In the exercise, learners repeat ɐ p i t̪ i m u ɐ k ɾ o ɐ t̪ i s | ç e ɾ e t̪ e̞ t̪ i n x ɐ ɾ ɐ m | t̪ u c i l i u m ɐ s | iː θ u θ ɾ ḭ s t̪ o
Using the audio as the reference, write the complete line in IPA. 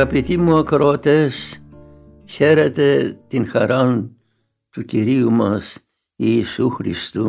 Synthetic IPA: ɐ p i t̪ i m u ɐ k ɾ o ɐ t̪ e s | ç e ɾ e t̪ e̞ t̪ i n x ɐ ɾ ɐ n | t̪ u c i ɾ i u m ɐ s | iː s u x ɾ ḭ s t̪ u